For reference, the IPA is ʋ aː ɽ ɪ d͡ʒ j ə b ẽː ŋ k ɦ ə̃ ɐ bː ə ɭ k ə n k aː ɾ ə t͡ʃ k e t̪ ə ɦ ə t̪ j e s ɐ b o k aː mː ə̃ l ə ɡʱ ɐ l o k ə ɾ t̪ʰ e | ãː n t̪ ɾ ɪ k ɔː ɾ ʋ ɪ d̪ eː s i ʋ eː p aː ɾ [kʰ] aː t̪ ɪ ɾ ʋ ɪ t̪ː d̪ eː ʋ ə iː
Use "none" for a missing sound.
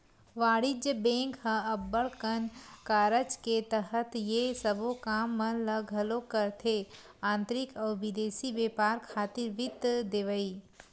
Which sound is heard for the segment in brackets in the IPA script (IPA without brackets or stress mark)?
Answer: kʰ